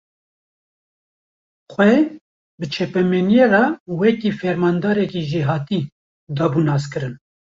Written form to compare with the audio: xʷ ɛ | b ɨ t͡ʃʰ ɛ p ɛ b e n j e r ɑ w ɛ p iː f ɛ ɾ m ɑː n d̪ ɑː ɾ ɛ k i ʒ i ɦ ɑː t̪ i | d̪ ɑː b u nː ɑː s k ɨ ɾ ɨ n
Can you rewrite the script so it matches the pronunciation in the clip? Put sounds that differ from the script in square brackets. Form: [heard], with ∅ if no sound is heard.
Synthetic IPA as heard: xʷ ɛ | b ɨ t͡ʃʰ ɛ p ɛ [m] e n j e r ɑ w ɛ [k] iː f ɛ ɾ m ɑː n d̪ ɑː ɾ ɛ k i ʒ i ɦ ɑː t̪ i | d̪ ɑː b u [n] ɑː s k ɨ ɾ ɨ n